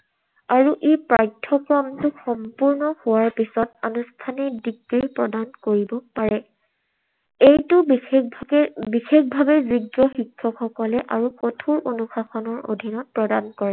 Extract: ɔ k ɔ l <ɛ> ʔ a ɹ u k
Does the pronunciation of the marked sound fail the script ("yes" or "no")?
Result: no